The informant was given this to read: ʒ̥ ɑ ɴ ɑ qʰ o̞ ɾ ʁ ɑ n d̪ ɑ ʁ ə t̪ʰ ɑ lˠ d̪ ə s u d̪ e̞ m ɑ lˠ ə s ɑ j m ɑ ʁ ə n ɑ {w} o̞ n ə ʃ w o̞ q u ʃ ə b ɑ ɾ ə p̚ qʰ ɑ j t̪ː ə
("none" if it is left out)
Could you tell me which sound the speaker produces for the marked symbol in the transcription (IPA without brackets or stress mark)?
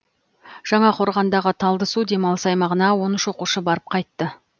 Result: w